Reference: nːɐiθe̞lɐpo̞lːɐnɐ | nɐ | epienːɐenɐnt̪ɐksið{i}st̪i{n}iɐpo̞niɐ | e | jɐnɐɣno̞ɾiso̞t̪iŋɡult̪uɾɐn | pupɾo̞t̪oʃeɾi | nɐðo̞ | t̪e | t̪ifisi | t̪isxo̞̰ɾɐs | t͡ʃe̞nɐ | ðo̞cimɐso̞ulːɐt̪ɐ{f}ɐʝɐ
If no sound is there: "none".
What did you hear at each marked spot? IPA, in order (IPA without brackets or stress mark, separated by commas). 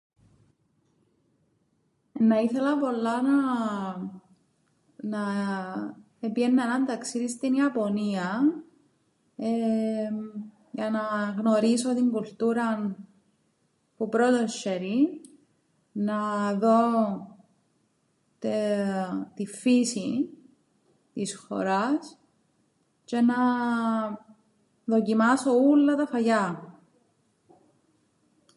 i, n, f